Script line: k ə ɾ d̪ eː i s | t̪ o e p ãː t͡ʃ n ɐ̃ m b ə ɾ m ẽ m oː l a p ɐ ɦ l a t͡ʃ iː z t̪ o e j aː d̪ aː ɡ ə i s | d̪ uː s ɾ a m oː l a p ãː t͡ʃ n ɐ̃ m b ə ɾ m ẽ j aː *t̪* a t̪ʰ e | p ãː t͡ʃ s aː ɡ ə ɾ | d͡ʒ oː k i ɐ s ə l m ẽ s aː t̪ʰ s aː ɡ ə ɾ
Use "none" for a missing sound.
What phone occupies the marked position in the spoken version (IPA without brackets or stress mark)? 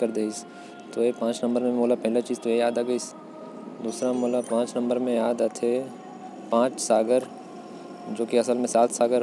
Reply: d̪